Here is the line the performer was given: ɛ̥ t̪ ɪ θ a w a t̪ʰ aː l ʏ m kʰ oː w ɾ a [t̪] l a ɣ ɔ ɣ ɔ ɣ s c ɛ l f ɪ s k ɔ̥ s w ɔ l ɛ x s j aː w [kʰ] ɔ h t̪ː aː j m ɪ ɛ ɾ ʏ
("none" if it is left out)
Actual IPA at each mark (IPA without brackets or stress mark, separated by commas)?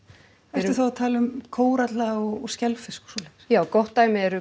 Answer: t̪, k